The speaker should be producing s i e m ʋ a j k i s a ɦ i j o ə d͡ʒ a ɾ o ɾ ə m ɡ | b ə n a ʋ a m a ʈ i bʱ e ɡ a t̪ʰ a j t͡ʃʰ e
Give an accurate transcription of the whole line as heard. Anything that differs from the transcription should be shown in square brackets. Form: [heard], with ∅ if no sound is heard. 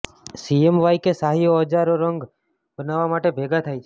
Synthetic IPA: s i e m ʋ a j k [e] s a ɦ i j o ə d͡ʒ a ɾ o ɾ ə [ŋ] ɡ | b ə n a ʋ a m a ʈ [e] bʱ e ɡ a t̪ʰ a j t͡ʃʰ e